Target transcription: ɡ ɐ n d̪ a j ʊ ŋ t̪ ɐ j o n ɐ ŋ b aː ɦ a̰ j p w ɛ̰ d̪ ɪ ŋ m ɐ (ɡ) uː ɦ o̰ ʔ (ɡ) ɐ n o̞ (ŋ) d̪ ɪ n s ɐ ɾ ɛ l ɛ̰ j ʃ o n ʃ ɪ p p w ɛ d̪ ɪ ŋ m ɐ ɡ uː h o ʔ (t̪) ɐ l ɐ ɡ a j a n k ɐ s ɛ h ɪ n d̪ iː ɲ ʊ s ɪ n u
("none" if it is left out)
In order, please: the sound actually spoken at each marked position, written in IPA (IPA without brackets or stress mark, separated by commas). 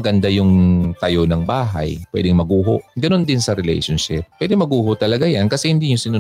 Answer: ɡ, ɡ, n, t̪